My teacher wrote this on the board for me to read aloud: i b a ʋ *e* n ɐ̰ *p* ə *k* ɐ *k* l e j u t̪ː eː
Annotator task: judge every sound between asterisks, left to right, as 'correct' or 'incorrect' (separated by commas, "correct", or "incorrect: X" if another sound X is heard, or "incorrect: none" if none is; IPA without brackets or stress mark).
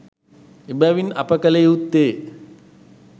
incorrect: i, correct, correct, incorrect: none